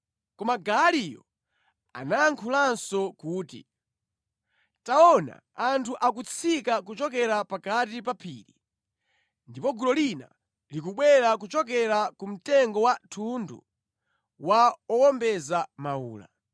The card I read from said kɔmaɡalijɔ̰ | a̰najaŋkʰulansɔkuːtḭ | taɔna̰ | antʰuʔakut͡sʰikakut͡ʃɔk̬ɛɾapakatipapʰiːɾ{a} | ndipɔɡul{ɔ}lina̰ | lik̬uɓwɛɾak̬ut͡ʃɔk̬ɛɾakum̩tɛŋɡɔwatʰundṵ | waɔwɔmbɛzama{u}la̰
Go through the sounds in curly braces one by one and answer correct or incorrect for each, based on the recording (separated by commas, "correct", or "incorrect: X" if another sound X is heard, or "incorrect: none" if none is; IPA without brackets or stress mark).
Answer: incorrect: i, correct, incorrect: uː